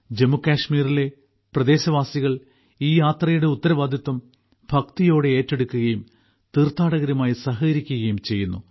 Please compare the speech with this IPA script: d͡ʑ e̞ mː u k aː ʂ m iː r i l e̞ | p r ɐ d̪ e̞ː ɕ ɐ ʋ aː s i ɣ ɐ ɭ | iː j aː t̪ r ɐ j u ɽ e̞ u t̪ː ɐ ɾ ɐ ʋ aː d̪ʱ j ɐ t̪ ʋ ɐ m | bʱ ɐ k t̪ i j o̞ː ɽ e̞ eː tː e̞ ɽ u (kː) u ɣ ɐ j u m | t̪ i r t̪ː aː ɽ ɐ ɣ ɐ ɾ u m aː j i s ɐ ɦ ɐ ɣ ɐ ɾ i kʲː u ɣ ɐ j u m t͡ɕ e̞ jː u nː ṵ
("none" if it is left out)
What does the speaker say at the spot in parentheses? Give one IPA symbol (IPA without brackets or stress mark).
kː